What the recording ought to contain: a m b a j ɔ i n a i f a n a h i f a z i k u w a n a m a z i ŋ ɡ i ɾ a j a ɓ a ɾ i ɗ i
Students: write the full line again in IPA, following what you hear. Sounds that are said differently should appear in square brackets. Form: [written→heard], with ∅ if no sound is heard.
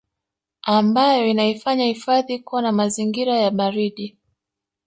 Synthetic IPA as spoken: a m b a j ɔ i n a i f a [n→ɲ] a h i f a [z→ð] i k u w a n a m a z i ŋ ɡ i ɾ a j a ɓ a ɾ i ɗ i

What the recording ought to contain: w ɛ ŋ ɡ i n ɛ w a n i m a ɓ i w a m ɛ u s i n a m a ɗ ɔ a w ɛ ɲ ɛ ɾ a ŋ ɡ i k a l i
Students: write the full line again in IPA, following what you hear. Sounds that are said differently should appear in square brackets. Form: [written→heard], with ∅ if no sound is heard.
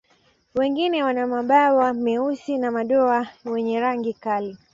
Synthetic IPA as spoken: w ɛ ŋ ɡ i n ɛ w a n [i→a] m a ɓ [i→a] w a m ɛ u s i n a m a ɗ ɔ a w ɛ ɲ ɛ ɾ a ŋ ɡ i k a l i

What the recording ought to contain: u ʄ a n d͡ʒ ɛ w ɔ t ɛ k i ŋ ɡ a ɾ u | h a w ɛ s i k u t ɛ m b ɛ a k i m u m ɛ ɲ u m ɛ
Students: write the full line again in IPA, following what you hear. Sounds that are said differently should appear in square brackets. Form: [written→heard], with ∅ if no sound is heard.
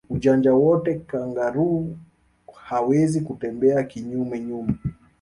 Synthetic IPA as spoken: u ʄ a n d͡ʒ [ɛ→a] w ɔ t ɛ k [i→a] ŋ ɡ a ɾ u | h a w ɛ [s→z] i k u t ɛ m b ɛ a k i [m→ɲ] u m ɛ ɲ u m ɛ

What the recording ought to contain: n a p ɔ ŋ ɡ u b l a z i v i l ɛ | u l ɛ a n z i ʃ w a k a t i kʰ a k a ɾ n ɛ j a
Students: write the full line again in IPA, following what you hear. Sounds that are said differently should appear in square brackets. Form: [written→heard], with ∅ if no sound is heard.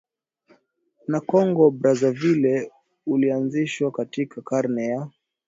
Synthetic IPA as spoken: n a [p→k] ɔ ŋ ɡ [u→ɔ] b [l→ɾ] a z [i→a] v i l ɛ | u l [ɛ→i] a n z i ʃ w a k a t i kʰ a k a ɾ n ɛ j a

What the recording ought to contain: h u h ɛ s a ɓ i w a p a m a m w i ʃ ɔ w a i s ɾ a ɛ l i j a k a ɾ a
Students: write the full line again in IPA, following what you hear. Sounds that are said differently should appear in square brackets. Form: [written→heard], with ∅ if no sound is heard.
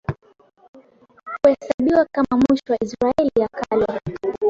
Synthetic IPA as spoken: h u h ɛ s a ɓ i w a [p→k] a m a m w i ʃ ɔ w a i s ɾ a ɛ l i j a k a [ɾ→l] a

